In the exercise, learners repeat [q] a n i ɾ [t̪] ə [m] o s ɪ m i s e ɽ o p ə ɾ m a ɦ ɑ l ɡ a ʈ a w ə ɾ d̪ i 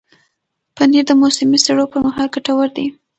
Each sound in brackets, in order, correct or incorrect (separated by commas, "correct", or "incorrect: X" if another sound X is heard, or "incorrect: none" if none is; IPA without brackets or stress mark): incorrect: p, incorrect: d̪, correct